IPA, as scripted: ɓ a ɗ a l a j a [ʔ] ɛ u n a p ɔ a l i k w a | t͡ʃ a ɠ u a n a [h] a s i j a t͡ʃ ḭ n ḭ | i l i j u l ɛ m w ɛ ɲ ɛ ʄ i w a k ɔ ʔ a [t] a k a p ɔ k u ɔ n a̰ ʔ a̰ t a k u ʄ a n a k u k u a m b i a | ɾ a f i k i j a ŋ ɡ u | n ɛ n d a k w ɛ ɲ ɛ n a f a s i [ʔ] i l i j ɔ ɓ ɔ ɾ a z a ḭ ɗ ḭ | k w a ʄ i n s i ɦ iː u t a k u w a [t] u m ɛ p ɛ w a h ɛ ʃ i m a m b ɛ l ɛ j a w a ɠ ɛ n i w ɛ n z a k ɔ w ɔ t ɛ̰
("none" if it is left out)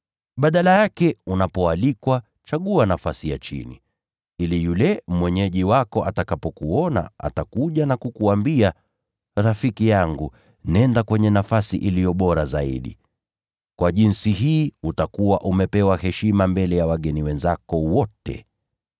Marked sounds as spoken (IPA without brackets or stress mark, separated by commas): k, f, t, ʔ, ʔ